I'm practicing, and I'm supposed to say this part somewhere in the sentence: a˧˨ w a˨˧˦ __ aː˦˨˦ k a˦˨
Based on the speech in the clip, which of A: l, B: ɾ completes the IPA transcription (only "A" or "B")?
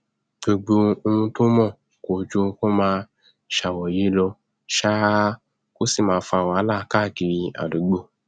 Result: A